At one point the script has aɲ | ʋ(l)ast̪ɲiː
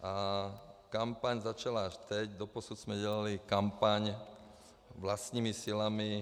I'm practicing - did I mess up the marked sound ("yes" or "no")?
no